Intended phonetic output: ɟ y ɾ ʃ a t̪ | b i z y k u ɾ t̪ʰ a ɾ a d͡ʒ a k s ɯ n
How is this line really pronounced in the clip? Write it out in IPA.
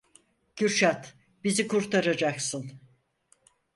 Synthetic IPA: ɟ y ɾ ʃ a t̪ | b i z i k u ɾ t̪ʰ a ɾ a d͡ʒ a k s ɯ n